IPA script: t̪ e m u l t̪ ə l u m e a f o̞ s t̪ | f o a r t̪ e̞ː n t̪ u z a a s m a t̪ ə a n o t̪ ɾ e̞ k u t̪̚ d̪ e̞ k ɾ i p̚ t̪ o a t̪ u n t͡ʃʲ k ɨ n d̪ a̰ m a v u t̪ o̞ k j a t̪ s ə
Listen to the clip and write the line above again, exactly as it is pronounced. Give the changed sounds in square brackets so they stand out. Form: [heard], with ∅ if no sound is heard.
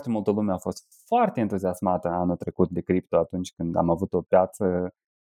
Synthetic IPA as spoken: t̪ e m u l t̪ ə l u m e a f o̞ s t̪ | f o a r t̪ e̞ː n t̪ u z [i] a s m a t̪ ə a n [u] t̪ ɾ e̞ k u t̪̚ d̪ e̞ k ɾ i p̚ t̪ o a t̪ u n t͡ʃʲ k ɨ n d̪ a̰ m a v u t̪ o̞ [p] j a t̪ s ə